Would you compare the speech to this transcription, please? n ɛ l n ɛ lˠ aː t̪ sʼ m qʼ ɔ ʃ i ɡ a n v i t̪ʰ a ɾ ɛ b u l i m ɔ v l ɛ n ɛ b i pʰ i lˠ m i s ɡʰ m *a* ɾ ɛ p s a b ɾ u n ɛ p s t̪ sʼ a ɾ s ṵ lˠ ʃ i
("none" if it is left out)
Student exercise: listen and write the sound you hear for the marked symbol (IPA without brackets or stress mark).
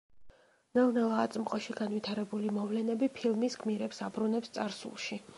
i